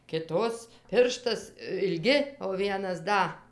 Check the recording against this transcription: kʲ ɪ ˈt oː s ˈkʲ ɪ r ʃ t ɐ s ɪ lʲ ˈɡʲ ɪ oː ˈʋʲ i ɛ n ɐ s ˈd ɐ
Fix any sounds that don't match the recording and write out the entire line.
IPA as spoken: kʲ ɪ ˈt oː s ˈpʲ ɪ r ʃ t ɐ s ɪ lʲ ˈɡʲ ɪ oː ˈʋʲ i ɛ n ɐ s ˈd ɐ